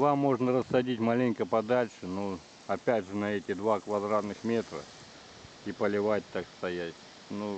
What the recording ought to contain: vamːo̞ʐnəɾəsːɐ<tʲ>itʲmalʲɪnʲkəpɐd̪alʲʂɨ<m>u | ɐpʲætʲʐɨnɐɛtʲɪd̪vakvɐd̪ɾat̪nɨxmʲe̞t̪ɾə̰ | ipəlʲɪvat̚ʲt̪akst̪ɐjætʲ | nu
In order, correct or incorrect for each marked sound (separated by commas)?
incorrect, incorrect